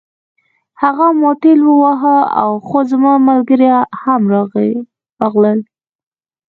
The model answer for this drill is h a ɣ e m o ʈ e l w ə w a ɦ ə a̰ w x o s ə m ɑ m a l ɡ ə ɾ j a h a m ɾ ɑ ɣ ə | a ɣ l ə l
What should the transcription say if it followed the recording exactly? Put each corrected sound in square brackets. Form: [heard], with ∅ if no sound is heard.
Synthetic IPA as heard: h a ɣ [a] m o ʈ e l w ə w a ɦ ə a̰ w x o [z] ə m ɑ m a l ɡ ə ɾ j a h a m ɾ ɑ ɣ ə | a ɣ l ə l